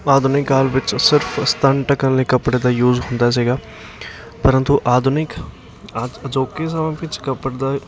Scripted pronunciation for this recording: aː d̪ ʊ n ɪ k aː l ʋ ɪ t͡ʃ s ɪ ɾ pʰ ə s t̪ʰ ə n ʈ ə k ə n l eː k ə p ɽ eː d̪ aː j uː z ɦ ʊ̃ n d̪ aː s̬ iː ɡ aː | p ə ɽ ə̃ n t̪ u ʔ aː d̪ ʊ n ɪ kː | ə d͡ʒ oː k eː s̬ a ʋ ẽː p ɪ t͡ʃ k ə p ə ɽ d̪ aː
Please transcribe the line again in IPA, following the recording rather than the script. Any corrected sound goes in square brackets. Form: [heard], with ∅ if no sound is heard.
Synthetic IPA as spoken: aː d̪ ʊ n ɪ k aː l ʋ ɪ t͡ʃ s ɪ ɾ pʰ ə s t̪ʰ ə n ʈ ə k ə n l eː k ə p ɽ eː d̪ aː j uː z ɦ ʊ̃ n d̪ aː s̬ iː ɡ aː | p ə [ɾ] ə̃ n t̪ u ʔ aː d̪ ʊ n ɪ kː | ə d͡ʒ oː k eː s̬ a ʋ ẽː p ɪ t͡ʃ k ə p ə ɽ d̪ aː